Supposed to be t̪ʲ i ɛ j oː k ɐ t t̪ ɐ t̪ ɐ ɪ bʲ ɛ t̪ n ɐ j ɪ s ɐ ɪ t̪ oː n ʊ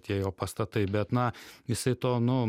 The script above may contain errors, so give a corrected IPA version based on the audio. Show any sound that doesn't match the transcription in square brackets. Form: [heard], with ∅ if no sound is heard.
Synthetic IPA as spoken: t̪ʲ i ɛ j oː [p] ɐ [s] t̪ ɐ t̪ ɐ ɪ bʲ ɛ t̪ n ɐ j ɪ s ɐ ɪ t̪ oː n ʊ